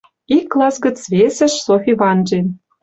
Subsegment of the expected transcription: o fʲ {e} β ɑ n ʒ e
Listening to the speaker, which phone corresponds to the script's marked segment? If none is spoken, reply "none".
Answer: i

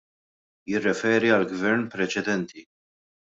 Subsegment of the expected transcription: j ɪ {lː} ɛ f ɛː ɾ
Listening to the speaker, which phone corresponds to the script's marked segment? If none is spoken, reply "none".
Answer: rː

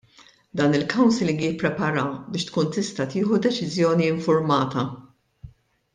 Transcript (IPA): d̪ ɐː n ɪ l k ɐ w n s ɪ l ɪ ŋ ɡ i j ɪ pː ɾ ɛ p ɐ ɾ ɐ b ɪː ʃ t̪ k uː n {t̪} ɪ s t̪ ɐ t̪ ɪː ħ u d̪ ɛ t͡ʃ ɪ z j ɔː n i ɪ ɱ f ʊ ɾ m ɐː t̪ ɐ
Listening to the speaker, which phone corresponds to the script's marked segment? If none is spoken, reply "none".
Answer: t̪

